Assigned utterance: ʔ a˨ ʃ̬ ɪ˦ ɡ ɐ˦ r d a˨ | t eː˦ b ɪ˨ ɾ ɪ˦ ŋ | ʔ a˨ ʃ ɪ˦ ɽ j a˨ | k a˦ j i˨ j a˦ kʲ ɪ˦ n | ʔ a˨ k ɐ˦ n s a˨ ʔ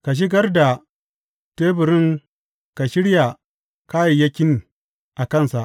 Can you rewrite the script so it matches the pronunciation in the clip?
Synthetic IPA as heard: k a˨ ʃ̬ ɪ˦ ɡ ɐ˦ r d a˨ | t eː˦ b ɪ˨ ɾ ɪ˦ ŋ | k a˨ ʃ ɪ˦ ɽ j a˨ | k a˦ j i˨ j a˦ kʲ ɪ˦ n | ʔ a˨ k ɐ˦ n s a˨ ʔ